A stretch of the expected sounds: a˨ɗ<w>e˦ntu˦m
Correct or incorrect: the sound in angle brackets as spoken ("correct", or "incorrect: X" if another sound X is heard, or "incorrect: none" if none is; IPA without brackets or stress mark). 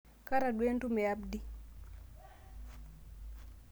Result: correct